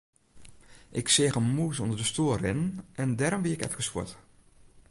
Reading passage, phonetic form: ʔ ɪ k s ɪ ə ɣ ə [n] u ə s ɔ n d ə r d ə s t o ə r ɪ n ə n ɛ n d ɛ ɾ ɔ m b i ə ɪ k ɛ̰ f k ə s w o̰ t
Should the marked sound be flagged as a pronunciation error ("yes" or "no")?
yes